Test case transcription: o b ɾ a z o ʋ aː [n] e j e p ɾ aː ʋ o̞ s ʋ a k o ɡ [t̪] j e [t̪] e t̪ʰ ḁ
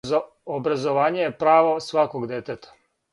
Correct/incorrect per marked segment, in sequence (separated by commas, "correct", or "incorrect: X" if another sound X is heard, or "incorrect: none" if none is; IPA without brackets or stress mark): incorrect: ɲ, incorrect: d̪, correct